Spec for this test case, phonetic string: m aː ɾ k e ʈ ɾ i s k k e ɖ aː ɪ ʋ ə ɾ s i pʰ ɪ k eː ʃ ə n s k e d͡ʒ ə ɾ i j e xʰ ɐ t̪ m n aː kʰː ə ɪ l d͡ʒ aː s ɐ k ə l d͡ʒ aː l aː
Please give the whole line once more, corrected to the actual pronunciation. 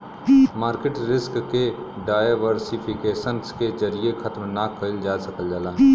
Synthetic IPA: m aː ɾ k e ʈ ɾ ɪ s k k e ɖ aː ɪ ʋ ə ɾ s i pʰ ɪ k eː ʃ ə n s k e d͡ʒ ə ɾ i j e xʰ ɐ t̪ m n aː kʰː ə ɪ l d͡ʒ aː s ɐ k ə l d͡ʒ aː l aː

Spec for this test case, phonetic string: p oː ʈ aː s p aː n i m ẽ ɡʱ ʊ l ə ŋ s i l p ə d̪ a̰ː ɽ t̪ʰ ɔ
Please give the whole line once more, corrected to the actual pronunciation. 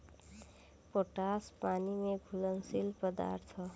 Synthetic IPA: p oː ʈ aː s p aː n i m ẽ ɡʱ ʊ l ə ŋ s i l p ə d̪ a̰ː ɾ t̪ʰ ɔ

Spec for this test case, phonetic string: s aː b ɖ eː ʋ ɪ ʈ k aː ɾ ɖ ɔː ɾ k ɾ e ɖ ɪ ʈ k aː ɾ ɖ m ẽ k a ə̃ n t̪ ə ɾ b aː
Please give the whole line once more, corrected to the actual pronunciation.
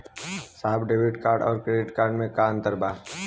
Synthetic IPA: s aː b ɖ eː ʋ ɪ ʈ k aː ɾ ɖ ɔː ɾ k ɾ e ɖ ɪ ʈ k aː ɾ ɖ m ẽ k a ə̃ n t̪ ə ɾ b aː

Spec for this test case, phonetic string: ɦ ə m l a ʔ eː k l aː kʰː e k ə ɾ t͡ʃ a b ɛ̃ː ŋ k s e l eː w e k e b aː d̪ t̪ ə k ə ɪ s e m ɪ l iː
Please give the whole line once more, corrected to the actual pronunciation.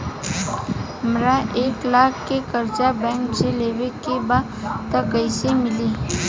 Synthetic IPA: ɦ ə m ɾ a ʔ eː k l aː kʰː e k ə ɾ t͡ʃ a b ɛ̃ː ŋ k s e l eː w e k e b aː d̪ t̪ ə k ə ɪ s e m ɪ l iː

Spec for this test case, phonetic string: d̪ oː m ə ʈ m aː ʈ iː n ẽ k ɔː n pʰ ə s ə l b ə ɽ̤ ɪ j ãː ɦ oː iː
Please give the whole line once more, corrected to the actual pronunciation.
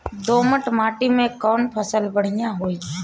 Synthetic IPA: d̪ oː m ə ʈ m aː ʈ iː m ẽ k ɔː n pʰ ə s ə l b ə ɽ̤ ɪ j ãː ɦ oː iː

